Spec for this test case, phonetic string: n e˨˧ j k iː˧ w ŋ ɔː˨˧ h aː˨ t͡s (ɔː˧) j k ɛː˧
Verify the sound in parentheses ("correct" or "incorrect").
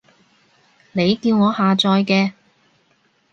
correct